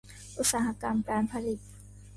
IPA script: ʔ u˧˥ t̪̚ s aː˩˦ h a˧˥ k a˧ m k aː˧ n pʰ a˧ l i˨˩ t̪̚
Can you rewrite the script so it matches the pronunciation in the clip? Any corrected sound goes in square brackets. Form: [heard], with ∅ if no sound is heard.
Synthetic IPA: ʔ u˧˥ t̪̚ s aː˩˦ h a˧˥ k a˧ m k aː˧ n pʰ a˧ l i˨˩ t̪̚